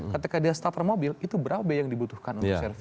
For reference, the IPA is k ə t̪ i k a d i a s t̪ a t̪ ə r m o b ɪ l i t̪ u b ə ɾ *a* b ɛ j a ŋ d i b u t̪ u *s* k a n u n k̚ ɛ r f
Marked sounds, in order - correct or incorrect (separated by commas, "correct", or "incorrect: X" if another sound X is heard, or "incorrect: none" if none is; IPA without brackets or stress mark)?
correct, incorrect: h